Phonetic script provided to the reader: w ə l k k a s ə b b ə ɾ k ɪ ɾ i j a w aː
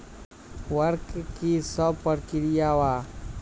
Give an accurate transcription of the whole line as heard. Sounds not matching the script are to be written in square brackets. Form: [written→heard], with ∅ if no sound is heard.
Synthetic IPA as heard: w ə [l→ɾ] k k [a→i] s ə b [b→p] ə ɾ k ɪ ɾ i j a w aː